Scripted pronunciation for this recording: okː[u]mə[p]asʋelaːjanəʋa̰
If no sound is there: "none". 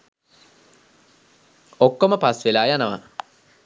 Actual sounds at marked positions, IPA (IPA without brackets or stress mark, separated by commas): o, p